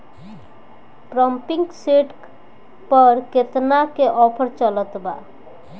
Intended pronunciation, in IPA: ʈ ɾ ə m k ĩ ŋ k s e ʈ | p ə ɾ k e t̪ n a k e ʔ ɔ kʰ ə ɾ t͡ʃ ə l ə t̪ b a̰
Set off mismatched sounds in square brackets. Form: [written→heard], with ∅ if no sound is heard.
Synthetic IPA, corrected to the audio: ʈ ɾ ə m [k→p] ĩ ŋ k s e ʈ | p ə ɾ k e t̪ n a k e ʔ ɔ [kʰ→pʰ] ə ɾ t͡ʃ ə l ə t̪ b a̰